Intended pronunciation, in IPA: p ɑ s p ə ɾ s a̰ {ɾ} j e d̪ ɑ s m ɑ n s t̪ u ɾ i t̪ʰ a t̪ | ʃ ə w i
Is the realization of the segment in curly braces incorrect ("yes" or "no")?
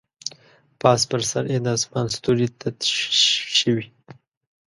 no